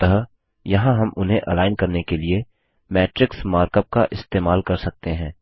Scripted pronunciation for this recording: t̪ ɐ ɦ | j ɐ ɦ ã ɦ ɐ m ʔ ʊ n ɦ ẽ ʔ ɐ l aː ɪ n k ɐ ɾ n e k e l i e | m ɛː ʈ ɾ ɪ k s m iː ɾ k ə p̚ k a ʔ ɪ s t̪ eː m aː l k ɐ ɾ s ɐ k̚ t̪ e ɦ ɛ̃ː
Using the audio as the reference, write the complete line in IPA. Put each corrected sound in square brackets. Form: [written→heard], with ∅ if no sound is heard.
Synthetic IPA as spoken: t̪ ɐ ɦ | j ɐ ɦ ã ɦ ɐ m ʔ ʊ n ɦ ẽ ʔ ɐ l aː ɪ n k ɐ ɾ n e k e l i e | m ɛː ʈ ɾ ɪ k s m [iː→aː] ɾ k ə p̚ k a ʔ ɪ s t̪ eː m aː l k ɐ ɾ s ɐ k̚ t̪ e ɦ ɛ̃ː

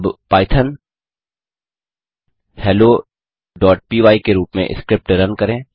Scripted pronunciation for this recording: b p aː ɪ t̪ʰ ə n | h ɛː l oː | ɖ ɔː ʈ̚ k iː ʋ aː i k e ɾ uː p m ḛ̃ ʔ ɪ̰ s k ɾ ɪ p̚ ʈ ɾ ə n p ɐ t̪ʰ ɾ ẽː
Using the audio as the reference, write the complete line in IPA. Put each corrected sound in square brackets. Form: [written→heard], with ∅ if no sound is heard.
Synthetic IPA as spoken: b p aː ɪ t̪ʰ ə n | h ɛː l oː | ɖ ɔː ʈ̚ [k→p] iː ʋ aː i k e ɾ uː p m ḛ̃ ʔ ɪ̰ s k ɾ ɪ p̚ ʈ ɾ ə n [p→k] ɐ [t̪ʰ→∅] ɾ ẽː

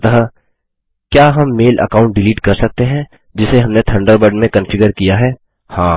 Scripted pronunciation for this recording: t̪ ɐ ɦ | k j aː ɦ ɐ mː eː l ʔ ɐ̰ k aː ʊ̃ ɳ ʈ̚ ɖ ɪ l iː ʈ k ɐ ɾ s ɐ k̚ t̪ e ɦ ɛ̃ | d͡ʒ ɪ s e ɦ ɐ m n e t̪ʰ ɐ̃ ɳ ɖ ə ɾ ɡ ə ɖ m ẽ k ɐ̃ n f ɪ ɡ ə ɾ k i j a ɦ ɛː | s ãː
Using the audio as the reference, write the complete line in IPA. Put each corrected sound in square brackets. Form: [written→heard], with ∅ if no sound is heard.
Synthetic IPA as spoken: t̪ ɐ ɦ | k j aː ɦ ɐ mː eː l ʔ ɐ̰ k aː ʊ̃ ɳ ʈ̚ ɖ ɪ l iː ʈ k ɐ ɾ s ɐ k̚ t̪ e ɦ ɛ̃ | d͡ʒ ɪ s e ɦ ɐ m n e t̪ʰ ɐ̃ ɳ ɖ ə ɾ [ɡ→b] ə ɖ m ẽ k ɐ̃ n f ɪ ɡ ə ɾ k i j a ɦ ɛː | [s→h] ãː

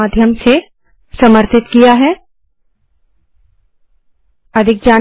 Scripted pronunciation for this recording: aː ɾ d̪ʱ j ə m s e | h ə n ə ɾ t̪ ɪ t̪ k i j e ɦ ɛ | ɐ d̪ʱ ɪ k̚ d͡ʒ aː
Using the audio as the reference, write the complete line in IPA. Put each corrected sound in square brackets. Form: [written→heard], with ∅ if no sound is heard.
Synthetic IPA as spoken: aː [ɾ→∅] d̪ʱ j ə m s e | [h→s] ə [n→m] ə ɾ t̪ ɪ t̪ k i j [e→a] ɦ ɛ | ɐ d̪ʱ ɪ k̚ d͡ʒ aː

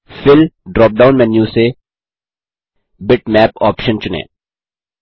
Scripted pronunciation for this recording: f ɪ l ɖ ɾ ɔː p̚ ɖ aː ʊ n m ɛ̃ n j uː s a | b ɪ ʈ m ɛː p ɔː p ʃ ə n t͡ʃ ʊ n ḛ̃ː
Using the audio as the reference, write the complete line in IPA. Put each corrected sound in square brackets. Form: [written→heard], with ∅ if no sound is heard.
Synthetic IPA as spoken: f ɪ l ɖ ɾ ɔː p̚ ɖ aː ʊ n m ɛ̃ n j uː s [a→e] | b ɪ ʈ m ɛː p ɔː p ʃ ə n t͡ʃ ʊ n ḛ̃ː

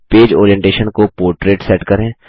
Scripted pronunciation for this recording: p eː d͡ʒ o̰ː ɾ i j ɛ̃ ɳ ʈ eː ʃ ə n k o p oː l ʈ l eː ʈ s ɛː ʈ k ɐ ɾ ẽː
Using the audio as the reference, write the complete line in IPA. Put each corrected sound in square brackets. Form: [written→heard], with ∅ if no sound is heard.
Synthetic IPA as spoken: p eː d͡ʒ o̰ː ɾ i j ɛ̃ ɳ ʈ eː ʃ ə n k o p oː [l→ɾ] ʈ [l→ɾ] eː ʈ s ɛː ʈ k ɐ ɾ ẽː

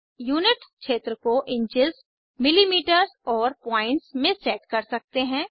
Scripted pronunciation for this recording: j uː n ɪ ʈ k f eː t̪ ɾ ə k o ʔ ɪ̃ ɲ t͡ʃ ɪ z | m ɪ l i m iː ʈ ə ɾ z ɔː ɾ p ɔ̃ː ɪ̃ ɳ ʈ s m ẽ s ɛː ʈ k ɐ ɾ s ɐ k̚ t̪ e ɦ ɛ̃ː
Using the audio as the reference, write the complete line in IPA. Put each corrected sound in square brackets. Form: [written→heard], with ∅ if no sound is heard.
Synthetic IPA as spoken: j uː n ɪ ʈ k [f→ʃ] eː t̪ ɾ ə k o ʔ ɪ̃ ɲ t͡ʃ ɪ z | m ɪ l i m iː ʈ ə ɾ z ɔː ɾ p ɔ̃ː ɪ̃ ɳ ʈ s m ẽ s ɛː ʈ k ɐ ɾ s ɐ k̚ t̪ e ɦ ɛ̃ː

